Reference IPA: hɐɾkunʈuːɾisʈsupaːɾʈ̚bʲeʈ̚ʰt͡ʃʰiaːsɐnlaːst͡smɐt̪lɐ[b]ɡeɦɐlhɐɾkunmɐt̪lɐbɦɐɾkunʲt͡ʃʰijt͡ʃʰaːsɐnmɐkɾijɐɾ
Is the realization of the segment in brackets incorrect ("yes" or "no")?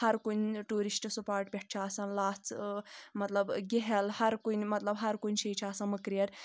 no